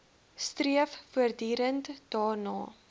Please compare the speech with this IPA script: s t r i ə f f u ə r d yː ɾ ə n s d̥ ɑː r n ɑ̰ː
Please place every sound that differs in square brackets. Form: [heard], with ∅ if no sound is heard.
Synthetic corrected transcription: s t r i ə f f u ə r d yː ɾ ə n [t] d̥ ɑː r n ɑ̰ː